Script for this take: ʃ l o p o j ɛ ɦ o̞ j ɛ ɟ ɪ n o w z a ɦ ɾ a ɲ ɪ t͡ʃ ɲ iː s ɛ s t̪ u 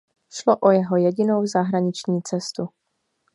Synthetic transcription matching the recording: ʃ l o ʔ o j ɛ ɦ o̞ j ɛ ɟ ɪ n o w z a ɦ ɾ a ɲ ɪ t͡ʃ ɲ iː t͡s ɛ s t̪ u